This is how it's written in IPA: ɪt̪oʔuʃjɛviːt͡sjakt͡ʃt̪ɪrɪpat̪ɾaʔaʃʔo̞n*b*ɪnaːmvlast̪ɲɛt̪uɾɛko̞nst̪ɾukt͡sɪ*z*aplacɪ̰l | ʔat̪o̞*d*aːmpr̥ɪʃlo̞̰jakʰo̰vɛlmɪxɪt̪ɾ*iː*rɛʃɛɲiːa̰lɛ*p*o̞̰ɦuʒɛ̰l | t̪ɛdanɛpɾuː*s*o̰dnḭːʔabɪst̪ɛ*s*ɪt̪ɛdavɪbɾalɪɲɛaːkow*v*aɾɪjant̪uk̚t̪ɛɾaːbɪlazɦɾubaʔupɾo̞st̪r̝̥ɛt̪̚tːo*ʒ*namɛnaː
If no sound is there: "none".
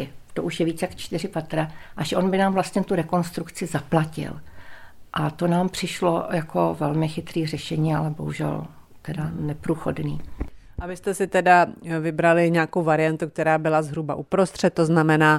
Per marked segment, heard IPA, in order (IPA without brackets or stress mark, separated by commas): b, z, n, iː, b, x, s, v, z